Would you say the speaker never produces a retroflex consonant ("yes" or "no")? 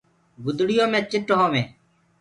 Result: no